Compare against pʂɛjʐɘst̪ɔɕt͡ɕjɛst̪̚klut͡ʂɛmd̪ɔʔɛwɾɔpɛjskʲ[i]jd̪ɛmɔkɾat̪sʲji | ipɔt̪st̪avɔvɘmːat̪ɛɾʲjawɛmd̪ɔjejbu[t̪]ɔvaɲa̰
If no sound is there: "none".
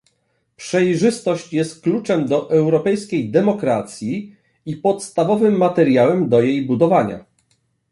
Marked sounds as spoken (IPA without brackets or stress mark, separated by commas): e, d̪